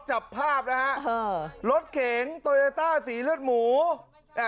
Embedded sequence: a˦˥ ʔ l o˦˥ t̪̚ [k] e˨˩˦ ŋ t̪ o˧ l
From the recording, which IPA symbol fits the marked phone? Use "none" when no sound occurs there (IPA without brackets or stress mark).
kʰ